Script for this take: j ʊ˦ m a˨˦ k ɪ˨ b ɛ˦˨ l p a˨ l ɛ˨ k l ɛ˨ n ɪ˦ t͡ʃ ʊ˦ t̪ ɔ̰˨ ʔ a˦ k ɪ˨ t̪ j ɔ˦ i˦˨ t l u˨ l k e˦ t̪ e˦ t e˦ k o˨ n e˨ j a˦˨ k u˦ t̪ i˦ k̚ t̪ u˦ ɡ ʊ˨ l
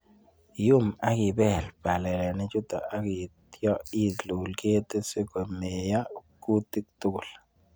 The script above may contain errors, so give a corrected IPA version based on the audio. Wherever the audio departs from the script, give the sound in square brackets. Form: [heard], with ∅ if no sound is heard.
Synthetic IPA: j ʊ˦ m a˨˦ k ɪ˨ b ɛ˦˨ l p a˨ l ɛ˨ [∅] l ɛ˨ n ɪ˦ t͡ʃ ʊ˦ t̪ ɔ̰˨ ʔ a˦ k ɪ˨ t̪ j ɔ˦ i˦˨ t l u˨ l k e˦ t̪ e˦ [s] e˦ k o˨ [m] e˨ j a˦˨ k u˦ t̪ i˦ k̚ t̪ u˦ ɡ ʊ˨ l